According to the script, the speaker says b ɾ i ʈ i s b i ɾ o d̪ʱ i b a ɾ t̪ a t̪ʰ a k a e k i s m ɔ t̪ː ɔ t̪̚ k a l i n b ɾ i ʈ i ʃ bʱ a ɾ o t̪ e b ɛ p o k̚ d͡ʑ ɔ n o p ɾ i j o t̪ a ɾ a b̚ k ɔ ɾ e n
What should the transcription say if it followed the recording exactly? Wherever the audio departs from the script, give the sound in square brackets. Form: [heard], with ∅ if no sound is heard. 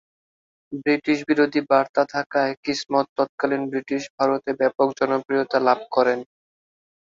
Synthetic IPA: b ɾ i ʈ i [ʃ] b i ɾ o d̪ʱ i b a ɾ t̪ a t̪ʰ a k a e k i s m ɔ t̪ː ɔ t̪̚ k a l i n b ɾ i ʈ i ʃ bʱ a ɾ o t̪ e b ɛ p o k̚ d͡ʑ ɔ n o p ɾ i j o t̪ a [l] a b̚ k ɔ ɾ e n